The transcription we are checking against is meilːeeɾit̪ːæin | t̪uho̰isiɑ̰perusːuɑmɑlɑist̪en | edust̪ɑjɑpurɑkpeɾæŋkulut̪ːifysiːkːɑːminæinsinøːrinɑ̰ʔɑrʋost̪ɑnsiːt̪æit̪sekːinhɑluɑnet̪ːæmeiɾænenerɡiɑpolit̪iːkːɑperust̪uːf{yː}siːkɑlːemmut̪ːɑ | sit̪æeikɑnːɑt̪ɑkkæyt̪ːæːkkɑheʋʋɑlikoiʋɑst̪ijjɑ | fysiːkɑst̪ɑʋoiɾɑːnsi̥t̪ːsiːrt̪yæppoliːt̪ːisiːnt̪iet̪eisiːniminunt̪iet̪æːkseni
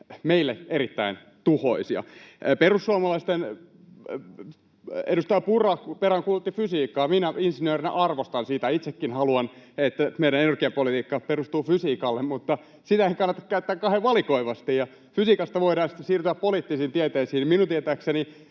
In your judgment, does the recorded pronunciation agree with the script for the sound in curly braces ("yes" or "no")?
no